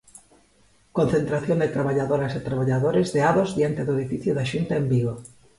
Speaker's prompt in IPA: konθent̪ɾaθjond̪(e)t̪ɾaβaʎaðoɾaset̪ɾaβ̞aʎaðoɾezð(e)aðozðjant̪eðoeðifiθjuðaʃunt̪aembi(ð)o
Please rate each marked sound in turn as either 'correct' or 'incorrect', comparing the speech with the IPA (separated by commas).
correct, correct, incorrect